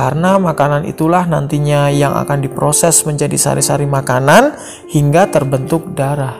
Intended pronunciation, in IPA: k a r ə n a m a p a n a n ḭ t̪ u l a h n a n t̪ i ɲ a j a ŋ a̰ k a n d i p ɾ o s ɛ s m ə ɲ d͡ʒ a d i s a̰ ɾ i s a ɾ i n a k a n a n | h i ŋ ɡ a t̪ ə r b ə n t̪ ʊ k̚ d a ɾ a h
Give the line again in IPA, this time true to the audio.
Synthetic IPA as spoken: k a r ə n a m a k a n a n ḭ t̪ u l a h n a n t̪ i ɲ a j a ŋ a̰ k a n d i p ɾ o s ɛ s m ə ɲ d͡ʒ a d i s a̰ ɾ i s a ɾ i m a k a n a n | h i ŋ ɡ a t̪ ə r b ə n t̪ ʊ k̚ d a ɾ a h